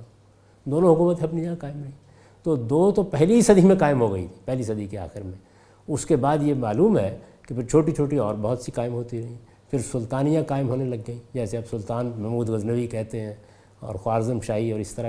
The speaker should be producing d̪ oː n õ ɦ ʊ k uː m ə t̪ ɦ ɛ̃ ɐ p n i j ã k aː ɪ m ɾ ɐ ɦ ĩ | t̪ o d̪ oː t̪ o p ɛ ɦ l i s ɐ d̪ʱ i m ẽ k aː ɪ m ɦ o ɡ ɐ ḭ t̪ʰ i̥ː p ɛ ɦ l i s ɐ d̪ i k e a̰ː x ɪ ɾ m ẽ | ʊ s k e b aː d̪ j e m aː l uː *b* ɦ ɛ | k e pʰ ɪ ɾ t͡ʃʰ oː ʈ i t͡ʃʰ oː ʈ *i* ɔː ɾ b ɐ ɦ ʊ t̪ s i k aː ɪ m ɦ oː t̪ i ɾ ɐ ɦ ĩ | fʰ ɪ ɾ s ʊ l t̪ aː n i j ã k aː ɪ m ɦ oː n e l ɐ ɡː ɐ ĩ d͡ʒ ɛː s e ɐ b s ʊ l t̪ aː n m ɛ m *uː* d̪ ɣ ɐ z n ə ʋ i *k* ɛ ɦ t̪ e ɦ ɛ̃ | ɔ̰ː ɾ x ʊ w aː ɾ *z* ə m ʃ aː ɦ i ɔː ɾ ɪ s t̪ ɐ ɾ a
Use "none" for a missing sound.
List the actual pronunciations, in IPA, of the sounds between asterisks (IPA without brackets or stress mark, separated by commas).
m, i, uː, k, z